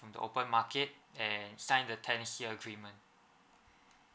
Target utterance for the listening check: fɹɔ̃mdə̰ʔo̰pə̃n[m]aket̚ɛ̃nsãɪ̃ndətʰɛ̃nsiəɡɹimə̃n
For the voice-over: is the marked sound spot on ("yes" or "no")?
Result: yes